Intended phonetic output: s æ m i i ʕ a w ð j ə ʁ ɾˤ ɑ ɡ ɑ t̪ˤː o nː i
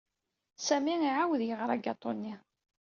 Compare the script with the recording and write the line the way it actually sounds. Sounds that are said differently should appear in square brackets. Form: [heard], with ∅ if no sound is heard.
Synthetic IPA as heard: s æ m i i ʕ a w ð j ə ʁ ɾˤ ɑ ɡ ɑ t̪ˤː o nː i